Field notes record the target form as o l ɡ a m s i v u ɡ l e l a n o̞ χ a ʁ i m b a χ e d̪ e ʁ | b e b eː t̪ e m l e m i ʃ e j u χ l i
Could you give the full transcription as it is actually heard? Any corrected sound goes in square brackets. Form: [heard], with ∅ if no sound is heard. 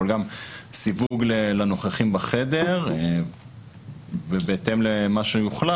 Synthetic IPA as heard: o l ɡ a m s i v u ɡ l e l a n o̞ χ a [χ] i m b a χ e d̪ e ʁ | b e b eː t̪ e m l e m [a] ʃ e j u χ l [a]